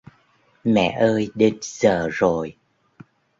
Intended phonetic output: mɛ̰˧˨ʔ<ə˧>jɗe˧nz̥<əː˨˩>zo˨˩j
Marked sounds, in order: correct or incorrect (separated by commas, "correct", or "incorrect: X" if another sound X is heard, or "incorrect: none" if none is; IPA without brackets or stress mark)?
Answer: incorrect: əː˧, correct